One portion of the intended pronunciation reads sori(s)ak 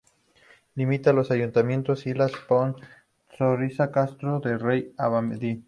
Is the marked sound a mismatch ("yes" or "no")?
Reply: no